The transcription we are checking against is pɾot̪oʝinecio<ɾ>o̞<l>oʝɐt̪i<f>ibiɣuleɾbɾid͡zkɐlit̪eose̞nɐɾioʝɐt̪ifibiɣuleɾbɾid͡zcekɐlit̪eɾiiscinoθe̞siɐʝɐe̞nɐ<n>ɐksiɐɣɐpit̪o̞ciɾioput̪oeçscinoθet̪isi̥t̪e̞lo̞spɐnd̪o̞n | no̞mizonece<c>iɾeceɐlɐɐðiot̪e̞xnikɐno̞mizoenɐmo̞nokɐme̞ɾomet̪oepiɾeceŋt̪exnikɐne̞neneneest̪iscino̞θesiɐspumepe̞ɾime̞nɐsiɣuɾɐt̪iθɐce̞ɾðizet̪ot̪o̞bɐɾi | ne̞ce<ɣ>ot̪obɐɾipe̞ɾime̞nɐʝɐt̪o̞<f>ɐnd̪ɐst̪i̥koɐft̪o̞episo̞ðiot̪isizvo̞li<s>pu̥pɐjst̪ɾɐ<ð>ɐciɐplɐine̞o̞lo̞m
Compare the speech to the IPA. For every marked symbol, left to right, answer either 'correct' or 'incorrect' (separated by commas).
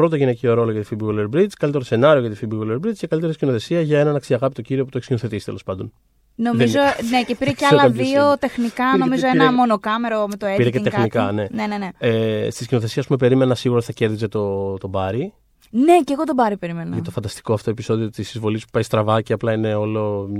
correct, correct, correct, correct, incorrect, correct, correct, correct, incorrect